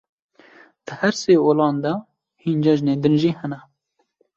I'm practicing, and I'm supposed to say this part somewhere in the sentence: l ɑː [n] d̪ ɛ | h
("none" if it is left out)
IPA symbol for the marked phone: n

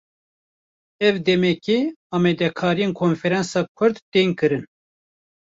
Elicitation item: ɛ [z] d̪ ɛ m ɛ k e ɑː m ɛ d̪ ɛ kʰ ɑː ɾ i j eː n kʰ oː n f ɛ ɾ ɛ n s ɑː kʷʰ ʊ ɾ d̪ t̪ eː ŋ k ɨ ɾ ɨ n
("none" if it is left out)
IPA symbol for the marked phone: v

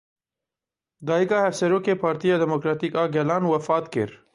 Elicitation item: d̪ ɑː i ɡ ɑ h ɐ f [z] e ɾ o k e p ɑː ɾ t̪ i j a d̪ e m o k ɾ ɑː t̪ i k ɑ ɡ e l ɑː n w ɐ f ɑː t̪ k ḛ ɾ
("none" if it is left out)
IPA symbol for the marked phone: s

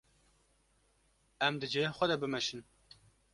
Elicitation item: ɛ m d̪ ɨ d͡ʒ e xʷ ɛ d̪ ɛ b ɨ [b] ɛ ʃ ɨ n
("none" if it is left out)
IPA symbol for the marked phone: m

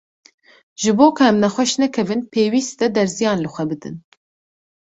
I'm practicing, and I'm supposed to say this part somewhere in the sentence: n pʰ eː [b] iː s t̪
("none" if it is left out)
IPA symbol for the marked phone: w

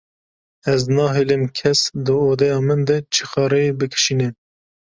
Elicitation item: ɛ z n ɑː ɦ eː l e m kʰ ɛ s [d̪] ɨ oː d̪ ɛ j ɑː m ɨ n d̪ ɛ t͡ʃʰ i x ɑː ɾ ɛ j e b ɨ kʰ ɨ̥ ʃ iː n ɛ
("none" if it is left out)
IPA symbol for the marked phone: d̪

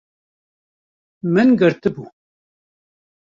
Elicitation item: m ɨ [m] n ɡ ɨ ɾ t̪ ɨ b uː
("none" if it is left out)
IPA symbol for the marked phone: none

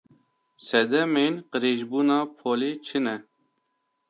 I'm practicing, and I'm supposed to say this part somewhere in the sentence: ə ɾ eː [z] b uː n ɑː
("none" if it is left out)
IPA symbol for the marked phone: ʒ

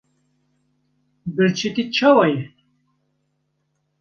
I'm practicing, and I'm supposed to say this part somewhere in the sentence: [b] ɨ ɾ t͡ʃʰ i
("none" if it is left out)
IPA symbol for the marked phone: b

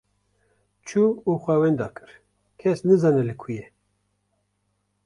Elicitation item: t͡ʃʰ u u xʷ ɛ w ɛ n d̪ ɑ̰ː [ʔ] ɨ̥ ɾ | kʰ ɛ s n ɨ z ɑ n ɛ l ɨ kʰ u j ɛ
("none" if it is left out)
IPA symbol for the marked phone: k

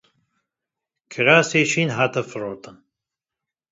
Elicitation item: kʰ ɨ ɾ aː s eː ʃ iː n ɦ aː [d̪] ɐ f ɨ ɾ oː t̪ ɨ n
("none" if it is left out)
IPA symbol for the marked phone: t̪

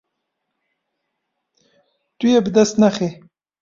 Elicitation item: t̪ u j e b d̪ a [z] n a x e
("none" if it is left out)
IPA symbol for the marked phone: s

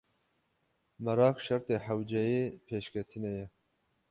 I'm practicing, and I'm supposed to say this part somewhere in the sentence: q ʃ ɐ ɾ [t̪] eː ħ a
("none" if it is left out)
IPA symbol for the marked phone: t̪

